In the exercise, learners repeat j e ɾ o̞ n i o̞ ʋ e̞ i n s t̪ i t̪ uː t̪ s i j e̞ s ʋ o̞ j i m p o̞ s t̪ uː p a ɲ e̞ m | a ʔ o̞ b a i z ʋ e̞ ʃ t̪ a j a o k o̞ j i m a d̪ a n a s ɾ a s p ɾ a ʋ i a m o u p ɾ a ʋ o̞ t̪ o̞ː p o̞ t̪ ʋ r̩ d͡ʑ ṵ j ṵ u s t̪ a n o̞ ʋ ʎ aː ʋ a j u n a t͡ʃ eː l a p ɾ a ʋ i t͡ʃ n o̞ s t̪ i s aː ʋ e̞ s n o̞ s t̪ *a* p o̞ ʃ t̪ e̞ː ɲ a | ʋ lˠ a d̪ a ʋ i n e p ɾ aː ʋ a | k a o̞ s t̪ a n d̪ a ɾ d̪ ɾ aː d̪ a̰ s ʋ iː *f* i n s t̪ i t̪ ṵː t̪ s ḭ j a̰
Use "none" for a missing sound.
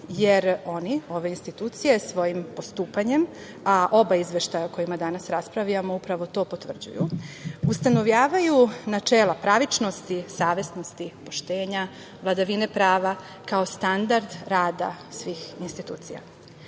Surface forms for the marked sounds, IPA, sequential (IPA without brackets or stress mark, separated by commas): i, x